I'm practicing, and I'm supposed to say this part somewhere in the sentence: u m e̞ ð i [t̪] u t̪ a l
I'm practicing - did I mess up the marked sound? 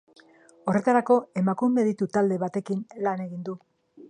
no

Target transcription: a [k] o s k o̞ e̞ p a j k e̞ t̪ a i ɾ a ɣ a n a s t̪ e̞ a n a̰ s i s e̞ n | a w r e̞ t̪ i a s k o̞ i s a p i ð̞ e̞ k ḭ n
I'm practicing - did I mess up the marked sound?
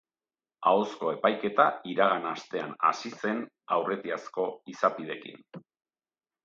yes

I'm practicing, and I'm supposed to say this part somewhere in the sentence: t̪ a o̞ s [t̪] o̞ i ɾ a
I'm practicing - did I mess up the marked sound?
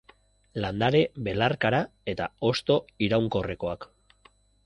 no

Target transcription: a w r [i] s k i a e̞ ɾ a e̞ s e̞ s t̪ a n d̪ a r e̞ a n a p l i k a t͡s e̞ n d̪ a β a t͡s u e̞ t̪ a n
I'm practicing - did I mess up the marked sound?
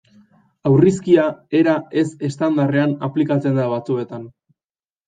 no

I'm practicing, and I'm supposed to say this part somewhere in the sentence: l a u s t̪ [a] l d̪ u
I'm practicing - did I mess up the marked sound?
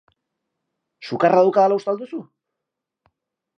no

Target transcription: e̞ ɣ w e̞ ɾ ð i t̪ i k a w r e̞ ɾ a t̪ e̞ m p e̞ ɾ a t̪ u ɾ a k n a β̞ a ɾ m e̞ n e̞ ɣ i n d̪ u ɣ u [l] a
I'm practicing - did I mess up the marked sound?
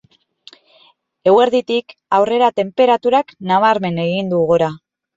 yes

